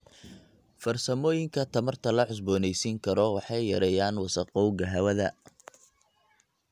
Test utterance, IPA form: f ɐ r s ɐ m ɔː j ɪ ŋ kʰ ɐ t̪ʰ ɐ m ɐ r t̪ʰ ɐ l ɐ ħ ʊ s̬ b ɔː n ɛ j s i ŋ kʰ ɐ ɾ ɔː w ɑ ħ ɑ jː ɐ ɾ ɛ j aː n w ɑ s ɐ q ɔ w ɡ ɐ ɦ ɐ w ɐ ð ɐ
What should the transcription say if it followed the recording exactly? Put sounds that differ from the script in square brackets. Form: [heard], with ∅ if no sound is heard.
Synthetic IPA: f ɐ r s ɐ m ɔː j ɪ ŋ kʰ ɐ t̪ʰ ɐ m ɐ r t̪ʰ ɐ l ɐ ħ ʊ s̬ b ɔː n ɛ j s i ŋ kʰ ɐ ɾ [ɔ] w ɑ ħ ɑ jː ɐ ɾ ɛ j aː n w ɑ s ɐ q ɔ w ɡ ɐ ɦ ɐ w ɐ ð ɐ